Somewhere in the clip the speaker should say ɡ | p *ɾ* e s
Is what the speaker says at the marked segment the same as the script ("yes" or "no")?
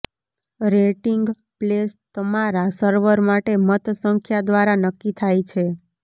no